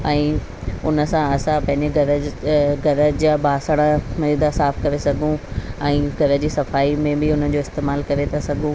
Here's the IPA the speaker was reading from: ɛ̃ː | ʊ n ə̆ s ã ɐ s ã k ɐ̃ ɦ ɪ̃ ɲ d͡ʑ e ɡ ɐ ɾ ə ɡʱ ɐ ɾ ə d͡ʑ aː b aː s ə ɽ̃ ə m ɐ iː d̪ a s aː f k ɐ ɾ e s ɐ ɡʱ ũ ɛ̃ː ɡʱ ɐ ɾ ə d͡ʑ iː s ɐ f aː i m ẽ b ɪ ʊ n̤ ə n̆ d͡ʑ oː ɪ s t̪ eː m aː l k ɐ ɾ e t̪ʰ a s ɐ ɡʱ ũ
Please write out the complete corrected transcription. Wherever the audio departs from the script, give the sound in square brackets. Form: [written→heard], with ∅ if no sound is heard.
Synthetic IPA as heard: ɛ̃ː | ʊ n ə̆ s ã ɐ s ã [k→p] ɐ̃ ɦ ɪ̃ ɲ d͡ʑ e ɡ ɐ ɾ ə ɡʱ ɐ ɾ ə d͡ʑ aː b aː s ə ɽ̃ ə m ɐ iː d̪ a s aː f k ɐ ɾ e s ɐ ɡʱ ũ ɛ̃ː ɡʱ ɐ ɾ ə d͡ʑ iː s ɐ f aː i m ẽ b ɪ ʊ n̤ ə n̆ d͡ʑ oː ɪ s t̪ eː m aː l k ɐ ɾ e t̪ʰ a s ɐ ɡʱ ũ